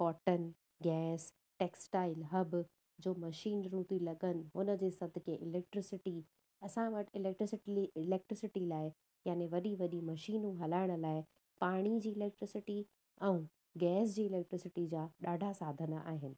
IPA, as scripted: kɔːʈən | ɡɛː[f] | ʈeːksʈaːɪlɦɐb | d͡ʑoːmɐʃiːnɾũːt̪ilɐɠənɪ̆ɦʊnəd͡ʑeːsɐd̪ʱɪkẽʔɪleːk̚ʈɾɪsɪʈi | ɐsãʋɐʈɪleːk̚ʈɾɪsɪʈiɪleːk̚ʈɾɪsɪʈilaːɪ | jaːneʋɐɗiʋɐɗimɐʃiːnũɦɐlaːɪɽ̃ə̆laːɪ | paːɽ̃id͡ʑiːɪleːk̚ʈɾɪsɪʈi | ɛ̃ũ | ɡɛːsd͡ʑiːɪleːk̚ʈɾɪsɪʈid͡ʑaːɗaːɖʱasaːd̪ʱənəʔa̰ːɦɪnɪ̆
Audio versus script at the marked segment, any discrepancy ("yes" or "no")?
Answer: yes